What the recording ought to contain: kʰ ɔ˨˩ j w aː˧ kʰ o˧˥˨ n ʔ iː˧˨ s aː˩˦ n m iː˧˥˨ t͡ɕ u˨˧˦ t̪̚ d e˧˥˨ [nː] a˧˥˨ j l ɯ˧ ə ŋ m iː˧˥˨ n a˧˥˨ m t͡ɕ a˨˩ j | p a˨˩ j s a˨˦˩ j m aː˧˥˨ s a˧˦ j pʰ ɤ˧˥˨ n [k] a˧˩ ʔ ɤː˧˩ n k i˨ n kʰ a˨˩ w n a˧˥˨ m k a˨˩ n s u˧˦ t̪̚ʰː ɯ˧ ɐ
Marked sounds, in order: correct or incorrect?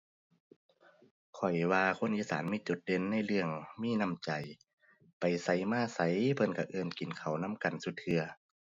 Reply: correct, correct

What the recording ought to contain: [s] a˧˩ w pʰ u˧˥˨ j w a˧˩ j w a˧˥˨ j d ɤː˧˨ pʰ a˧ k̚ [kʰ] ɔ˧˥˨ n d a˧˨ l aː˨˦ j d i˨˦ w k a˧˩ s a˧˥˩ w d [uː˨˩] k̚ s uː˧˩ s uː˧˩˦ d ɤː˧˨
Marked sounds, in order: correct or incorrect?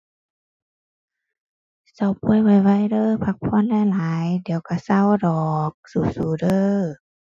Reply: correct, incorrect: pʰ, incorrect: ɔː˨˩

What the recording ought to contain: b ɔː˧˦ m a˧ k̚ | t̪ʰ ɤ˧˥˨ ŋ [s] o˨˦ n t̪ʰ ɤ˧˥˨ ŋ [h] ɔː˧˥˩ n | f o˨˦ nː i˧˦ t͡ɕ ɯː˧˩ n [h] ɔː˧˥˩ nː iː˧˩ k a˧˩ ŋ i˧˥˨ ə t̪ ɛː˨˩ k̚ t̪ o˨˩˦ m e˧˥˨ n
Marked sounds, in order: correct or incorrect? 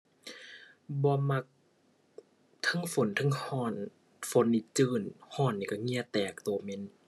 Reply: incorrect: f, correct, correct

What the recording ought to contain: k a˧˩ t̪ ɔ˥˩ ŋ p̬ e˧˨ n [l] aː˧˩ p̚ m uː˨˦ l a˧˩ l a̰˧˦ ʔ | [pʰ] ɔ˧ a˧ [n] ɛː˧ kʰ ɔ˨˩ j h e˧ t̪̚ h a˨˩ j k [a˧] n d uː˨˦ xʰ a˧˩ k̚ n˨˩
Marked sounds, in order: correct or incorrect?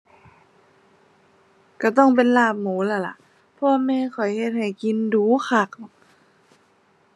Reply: correct, correct, incorrect: m, incorrect: i˧

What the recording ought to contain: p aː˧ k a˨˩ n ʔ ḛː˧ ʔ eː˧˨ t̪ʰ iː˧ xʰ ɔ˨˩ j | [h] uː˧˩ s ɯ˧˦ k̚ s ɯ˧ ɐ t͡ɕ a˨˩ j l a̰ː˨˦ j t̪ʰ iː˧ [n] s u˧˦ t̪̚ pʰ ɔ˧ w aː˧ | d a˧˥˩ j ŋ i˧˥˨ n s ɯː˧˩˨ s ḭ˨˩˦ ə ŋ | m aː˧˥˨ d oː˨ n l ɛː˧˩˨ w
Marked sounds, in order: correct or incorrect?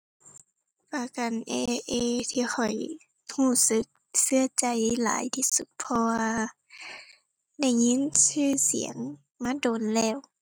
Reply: correct, incorrect: none

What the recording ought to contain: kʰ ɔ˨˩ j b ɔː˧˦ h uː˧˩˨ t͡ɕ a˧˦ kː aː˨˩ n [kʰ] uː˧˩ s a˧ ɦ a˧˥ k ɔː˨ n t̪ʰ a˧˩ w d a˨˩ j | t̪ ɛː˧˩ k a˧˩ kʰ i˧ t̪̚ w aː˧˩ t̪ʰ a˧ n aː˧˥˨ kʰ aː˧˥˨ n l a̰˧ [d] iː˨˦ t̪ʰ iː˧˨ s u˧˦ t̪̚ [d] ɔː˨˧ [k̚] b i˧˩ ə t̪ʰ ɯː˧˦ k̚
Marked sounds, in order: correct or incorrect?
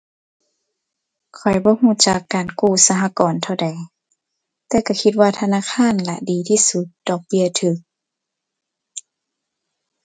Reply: incorrect: k, correct, correct, correct

